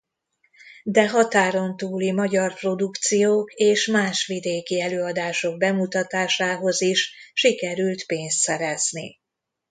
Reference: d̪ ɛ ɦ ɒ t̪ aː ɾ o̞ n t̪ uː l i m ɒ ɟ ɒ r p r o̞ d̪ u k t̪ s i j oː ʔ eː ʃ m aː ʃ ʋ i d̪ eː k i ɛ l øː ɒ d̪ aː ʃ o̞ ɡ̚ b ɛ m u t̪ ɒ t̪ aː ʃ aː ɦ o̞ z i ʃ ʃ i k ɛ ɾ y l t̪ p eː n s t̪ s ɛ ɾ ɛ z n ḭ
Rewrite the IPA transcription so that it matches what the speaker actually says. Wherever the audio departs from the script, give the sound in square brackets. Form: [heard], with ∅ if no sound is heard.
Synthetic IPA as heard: d̪ ɛ ɦ ɒ t̪ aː ɾ o̞ n t̪ uː l i m ɒ ɟ ɒ r p r o̞ d̪ u k t̪ s i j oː [k] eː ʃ m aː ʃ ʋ i d̪ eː k i ɛ l øː ɒ d̪ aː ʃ o̞ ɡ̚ b ɛ m u t̪ ɒ t̪ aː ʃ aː ɦ o̞ z i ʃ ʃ i k ɛ ɾ y l t̪ p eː n s t̪ s ɛ ɾ ɛ z n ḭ

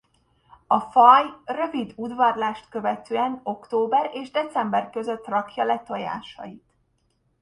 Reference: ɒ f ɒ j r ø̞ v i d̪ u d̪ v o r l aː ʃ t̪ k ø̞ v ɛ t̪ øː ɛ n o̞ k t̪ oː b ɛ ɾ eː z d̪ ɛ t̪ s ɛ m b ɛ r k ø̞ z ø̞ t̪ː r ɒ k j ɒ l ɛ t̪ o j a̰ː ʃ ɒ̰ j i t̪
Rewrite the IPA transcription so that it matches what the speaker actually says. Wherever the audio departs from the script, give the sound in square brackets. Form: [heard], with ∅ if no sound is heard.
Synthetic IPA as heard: ɒ f ɒ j r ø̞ v i d̪ u d̪ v [ɒ] r l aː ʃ t̪ k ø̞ v ɛ t̪ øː ɛ n o̞ k t̪ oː b ɛ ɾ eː [ʒ] d̪ ɛ t̪ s ɛ m b ɛ r k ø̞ z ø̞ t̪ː r ɒ k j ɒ l ɛ t̪ o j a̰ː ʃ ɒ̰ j i t̪

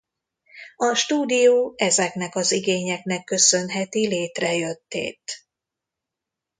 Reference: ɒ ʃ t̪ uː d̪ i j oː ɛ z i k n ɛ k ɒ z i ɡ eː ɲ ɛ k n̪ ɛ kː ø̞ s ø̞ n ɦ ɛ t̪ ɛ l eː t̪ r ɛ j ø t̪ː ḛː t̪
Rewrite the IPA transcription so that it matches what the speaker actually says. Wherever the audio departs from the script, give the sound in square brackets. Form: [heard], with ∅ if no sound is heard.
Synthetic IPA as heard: ɒ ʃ t̪ uː d̪ i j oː ɛ z [ɛ] k n ɛ k ɒ z i ɡ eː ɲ ɛ k n̪ ɛ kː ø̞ s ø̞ n ɦ ɛ t̪ [i] l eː t̪ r ɛ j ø t̪ː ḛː t̪

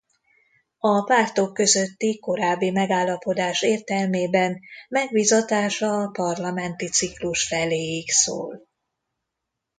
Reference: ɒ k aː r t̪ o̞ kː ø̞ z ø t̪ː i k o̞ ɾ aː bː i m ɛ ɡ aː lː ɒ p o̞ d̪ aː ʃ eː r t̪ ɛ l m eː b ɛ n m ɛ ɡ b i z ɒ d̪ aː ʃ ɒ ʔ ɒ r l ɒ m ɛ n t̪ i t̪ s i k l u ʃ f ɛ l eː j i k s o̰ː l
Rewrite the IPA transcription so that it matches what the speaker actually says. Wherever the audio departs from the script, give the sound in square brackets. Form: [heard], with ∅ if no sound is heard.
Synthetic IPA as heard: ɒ [p] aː r t̪ o̞ kː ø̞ z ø t̪ː i k o̞ ɾ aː bː i m ɛ ɡ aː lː ɒ p o̞ d̪ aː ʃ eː r t̪ ɛ l m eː b ɛ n m ɛ ɡ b i z ɒ [t̪] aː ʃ ɒ [p] ɒ r l ɒ m ɛ n t̪ i t̪ s i k l u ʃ f ɛ l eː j i k s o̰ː l

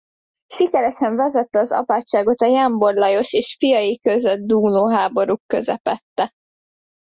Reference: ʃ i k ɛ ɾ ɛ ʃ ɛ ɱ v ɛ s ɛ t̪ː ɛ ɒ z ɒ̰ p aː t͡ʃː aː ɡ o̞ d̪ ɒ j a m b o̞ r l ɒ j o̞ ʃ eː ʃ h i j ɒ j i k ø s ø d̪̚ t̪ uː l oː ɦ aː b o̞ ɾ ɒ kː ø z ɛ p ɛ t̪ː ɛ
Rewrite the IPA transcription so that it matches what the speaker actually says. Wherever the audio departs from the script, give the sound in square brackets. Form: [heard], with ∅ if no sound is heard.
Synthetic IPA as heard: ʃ i k ɛ ɾ ɛ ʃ ɛ ɱ v ɛ [z] ɛ t̪ː ɛ ɒ z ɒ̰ p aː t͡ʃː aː ɡ o̞ [t̪] ɒ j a m b o̞ r l ɒ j o̞ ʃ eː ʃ [f] i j ɒ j i k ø [z] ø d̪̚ [d̪] uː l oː ɦ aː b o̞ ɾ [u] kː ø z ɛ p ɛ t̪ː ɛ

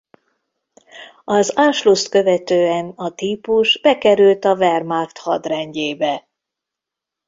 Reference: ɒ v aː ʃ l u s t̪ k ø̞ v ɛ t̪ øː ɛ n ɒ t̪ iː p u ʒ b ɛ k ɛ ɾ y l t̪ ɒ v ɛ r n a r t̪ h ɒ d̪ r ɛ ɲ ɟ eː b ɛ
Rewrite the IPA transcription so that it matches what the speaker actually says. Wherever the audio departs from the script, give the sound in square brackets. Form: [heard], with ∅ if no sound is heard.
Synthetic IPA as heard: ɒ [z] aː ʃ l u s t̪ k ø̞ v ɛ t̪ øː ɛ n ɒ t̪ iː p u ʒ b ɛ k ɛ ɾ y l t̪ ɒ v ɛ r [m] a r t̪ h ɒ d̪ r ɛ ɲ ɟ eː b ɛ

